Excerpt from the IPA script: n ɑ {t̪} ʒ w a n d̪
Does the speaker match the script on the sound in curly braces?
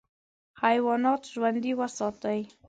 yes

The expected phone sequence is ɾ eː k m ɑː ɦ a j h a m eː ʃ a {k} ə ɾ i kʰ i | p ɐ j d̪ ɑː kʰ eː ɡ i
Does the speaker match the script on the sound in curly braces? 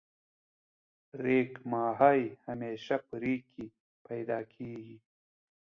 no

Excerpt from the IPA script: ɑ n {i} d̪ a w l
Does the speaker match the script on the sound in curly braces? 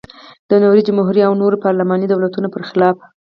yes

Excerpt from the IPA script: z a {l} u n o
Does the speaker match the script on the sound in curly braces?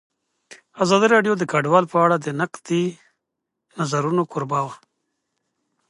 no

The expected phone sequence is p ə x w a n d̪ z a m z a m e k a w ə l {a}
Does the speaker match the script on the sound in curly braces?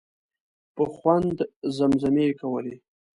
no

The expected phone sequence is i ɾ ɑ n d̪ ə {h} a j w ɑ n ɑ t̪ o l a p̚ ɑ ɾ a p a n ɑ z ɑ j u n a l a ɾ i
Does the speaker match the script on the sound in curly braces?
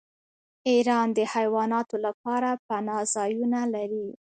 yes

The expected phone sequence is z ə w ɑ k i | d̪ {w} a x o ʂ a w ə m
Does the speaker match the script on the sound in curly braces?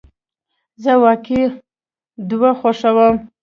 yes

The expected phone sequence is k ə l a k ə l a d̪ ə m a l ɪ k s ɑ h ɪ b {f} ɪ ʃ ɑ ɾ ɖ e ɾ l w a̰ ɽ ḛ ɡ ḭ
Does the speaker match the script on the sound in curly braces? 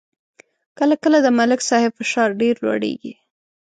yes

